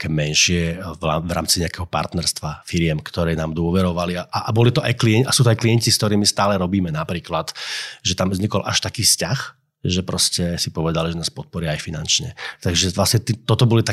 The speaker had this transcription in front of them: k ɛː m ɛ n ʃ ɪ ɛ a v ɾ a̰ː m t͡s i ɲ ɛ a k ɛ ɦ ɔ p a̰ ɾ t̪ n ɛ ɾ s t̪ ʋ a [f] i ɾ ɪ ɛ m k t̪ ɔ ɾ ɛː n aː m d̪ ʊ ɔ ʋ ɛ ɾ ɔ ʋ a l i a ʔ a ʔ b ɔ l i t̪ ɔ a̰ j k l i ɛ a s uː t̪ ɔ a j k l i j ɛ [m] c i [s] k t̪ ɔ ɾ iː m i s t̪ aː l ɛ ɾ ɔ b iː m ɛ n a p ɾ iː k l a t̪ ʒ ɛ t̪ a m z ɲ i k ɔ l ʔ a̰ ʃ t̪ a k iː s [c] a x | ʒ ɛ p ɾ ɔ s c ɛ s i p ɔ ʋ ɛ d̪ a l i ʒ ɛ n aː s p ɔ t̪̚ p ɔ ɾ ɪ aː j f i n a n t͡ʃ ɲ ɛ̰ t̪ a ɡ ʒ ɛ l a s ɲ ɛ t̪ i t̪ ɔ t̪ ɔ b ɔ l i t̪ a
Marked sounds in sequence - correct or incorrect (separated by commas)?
correct, incorrect, correct, correct